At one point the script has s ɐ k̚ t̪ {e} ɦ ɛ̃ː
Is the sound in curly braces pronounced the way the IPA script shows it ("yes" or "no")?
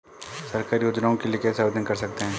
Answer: yes